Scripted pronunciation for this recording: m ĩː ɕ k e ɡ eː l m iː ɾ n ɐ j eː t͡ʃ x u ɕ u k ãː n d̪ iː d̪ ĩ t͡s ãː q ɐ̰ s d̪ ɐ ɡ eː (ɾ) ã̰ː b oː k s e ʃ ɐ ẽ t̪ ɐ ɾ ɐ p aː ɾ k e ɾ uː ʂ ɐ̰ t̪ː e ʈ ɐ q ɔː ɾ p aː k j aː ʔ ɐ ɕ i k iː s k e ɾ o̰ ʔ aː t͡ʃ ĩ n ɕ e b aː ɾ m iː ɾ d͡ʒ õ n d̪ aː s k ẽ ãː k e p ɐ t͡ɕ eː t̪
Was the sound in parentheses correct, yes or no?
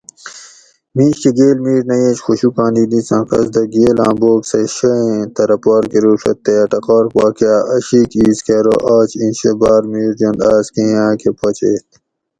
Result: no